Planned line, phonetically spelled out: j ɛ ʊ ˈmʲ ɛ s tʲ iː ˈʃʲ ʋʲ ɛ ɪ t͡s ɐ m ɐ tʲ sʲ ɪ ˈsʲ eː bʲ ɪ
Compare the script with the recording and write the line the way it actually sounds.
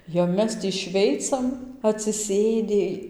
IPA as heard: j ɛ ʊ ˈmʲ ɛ s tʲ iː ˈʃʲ ʋʲ ɛ ɪ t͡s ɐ m ɐ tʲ sʲ ɪ ˈsʲ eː dʲ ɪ